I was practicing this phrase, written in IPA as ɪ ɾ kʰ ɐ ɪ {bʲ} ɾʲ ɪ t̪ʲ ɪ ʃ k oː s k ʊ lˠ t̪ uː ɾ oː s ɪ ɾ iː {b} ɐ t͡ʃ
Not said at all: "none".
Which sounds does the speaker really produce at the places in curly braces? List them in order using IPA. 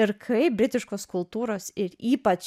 bʲ, p

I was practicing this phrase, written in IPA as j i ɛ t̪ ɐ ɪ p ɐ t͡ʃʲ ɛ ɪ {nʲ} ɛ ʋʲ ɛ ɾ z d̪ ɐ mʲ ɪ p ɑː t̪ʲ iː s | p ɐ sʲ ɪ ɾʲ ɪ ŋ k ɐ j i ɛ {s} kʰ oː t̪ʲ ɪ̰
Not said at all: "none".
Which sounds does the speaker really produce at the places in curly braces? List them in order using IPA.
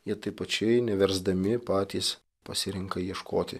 nʲ, ʃ

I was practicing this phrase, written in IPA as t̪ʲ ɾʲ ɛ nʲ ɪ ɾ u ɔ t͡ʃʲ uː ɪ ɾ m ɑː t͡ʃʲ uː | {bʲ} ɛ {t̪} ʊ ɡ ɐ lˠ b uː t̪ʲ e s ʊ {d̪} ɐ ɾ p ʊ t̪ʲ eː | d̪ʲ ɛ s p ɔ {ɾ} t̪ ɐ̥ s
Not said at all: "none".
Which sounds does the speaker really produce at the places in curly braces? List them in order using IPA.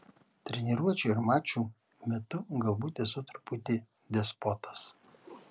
mʲ, t̪, t̪, none

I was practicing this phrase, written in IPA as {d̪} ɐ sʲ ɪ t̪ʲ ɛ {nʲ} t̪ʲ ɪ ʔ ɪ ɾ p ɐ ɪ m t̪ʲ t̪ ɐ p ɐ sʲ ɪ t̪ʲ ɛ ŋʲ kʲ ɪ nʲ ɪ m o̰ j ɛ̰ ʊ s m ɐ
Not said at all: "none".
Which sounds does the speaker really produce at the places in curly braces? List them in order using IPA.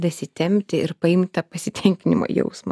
d̪, mʲ

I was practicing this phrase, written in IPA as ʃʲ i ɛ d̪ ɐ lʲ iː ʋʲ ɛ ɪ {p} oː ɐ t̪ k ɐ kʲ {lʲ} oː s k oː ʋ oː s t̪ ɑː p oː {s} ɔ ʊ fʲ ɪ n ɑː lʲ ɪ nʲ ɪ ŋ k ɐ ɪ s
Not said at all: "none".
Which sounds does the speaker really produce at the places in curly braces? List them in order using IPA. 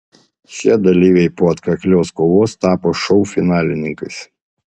p, lʲ, ʃ

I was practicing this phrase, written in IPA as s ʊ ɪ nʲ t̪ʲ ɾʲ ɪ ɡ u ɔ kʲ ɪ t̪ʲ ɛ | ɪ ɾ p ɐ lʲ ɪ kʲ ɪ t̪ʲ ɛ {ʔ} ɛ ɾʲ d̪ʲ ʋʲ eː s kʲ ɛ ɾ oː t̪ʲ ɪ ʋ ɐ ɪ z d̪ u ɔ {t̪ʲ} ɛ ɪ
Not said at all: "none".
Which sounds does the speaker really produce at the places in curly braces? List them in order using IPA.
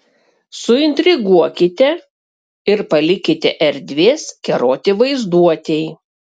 ʔ, t̪ʲ

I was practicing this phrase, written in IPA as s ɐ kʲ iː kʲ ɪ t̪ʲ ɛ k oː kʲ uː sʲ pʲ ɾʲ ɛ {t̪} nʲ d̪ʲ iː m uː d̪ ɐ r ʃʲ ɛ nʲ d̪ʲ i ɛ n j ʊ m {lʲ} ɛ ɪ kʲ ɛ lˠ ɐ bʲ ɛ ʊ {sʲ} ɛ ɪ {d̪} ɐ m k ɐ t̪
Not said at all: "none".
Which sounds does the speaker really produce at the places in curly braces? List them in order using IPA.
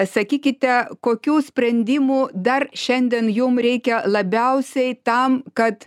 none, ɾʲ, sʲ, t̪

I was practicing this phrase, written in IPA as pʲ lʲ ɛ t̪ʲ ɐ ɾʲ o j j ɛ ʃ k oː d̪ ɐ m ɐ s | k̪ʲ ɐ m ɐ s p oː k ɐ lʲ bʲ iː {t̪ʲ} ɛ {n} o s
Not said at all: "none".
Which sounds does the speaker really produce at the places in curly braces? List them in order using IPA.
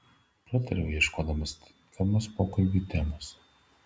t̪ʲ, m

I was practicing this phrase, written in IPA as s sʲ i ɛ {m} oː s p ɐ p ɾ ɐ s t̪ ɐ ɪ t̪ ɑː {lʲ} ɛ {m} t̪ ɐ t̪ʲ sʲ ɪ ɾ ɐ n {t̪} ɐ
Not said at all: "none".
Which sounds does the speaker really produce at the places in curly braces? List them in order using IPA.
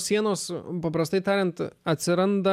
n, ɾʲ, n, d̪

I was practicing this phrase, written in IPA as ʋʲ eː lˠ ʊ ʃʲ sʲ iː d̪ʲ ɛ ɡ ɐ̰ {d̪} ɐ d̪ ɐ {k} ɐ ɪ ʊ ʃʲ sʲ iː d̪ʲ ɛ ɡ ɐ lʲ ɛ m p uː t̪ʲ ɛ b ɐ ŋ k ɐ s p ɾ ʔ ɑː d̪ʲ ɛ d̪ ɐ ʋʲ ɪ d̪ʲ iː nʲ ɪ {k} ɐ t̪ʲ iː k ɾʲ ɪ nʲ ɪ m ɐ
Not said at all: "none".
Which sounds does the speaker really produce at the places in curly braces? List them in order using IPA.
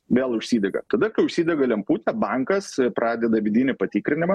t̪, k, p

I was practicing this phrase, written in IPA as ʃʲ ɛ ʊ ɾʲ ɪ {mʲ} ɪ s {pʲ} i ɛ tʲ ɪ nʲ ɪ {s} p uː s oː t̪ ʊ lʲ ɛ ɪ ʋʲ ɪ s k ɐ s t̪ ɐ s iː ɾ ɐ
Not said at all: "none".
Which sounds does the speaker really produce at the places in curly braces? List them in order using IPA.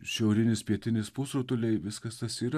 nʲ, pʲ, s

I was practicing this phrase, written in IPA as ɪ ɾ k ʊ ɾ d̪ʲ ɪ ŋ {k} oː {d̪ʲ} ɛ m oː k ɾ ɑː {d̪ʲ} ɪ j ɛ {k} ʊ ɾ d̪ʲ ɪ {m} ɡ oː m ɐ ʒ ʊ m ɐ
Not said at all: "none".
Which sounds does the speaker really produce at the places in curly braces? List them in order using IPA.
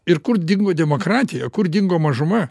ɡ, d̪ʲ, t̪ʲ, k, ŋ

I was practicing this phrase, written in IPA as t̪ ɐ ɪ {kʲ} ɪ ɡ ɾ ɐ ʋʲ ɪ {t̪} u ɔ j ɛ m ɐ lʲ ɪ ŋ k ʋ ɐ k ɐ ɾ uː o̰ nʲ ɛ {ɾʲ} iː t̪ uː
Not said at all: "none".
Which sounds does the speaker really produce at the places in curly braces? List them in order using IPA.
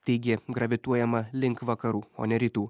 ɡʲ, t̪, ɾʲ

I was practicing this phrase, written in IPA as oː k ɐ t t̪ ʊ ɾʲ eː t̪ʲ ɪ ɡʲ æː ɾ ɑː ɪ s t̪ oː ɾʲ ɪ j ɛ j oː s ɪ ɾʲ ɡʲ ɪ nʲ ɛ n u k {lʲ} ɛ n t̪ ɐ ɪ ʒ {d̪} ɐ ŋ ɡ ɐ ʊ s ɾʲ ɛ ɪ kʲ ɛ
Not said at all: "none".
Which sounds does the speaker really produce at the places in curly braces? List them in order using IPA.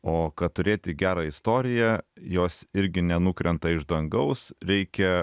ɾʲ, d̪

